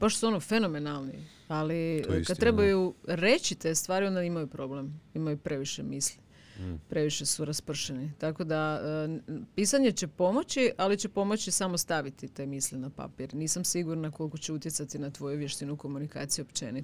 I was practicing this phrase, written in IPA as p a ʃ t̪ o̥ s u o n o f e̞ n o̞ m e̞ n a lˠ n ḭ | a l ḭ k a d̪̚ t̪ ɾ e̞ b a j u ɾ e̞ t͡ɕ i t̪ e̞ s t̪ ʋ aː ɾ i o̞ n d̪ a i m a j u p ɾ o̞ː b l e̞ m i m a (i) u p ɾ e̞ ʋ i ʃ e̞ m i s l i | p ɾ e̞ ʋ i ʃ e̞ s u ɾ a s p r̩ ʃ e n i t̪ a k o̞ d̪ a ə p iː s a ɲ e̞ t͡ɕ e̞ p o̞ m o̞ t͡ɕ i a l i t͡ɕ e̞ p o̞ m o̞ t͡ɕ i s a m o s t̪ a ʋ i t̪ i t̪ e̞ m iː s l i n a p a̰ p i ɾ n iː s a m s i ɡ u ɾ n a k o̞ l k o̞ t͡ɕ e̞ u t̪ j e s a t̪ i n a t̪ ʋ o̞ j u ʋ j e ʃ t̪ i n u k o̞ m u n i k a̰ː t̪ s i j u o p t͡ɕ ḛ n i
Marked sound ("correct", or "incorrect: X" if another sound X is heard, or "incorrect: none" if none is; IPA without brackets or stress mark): incorrect: j